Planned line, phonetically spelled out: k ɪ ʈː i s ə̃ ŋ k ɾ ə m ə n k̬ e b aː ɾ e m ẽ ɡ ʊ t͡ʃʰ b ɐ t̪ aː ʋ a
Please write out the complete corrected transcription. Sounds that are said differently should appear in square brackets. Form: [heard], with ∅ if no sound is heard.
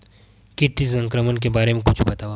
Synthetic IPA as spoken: k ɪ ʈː i s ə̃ ŋ k ɾ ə m ə n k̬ e b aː ɾ e m ẽ [k] ʊ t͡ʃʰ b ɐ t̪ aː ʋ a